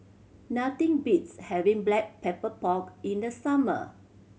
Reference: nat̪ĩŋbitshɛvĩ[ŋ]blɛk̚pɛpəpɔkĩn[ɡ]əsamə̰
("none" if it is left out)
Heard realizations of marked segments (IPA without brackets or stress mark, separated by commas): ŋ, d